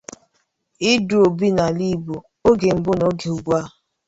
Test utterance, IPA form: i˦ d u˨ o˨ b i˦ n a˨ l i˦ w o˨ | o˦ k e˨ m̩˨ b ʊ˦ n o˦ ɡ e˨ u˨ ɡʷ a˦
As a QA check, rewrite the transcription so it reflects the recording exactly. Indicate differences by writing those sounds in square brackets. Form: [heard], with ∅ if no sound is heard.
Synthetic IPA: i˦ d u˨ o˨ b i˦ n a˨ l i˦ [b] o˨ | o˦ [ɡ] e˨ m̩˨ b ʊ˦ n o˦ ɡ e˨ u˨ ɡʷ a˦